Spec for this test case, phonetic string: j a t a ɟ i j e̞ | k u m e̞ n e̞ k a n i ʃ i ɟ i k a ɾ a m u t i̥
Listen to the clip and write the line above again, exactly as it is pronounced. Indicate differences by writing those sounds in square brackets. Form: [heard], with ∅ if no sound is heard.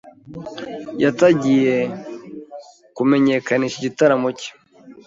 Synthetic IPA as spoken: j a t a ɟ i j e̞ | k u m e̞ [ɲ] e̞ k a n i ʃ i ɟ i [t] a ɾ a m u [c] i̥